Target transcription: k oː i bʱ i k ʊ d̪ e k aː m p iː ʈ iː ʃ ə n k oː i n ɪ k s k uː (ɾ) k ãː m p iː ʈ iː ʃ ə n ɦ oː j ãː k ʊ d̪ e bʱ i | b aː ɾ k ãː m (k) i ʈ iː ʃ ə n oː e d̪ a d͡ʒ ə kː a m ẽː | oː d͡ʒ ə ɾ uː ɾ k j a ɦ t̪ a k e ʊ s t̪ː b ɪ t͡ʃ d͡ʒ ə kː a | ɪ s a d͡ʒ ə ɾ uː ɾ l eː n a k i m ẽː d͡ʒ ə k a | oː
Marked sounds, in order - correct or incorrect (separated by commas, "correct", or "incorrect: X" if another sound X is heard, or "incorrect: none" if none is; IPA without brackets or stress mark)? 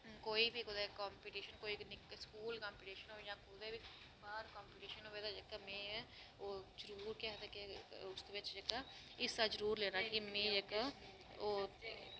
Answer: incorrect: l, incorrect: p